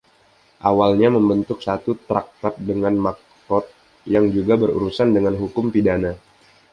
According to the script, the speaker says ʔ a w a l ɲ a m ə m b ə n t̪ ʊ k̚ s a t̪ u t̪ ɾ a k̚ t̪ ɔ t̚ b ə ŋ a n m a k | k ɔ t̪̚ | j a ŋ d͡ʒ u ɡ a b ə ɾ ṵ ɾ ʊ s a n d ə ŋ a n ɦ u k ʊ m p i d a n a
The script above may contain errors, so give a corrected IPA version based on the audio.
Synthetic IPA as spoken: ʔ a w a l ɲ a m ə m b ə n t̪ ʊ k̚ s a t̪ u t̪ ɾ a k̚ t̪ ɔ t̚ d ə ŋ a n m a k | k ɔ t̪̚ | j a ŋ d͡ʒ u ɡ a b ə ɾ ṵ ɾ u s a n d ə ŋ a n ɦ u k ʊ m p i d a n a